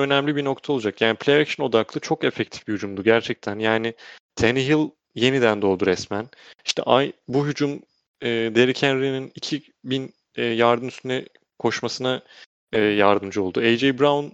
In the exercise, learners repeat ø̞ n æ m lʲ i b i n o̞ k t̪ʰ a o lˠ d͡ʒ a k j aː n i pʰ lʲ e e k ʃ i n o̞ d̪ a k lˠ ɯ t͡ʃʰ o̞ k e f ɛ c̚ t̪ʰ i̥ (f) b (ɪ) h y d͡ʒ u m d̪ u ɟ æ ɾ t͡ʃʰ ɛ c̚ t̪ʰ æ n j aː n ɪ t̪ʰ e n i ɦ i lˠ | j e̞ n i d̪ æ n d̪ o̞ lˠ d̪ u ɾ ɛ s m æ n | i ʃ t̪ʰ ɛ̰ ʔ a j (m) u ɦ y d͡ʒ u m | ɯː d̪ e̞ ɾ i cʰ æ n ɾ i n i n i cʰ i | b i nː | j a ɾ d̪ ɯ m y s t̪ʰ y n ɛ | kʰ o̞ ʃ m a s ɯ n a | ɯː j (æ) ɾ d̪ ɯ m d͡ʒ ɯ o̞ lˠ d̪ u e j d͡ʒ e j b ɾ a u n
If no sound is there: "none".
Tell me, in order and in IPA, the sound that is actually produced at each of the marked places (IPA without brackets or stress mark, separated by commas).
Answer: f, i, b, a